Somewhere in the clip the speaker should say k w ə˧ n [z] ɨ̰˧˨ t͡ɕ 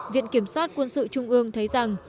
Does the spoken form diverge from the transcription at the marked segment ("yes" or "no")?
yes